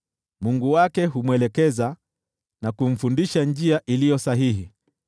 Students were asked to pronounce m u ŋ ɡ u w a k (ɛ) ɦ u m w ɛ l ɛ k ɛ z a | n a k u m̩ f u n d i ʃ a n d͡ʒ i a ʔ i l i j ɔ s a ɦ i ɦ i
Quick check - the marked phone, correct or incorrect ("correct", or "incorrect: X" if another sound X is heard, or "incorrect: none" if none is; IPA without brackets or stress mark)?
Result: correct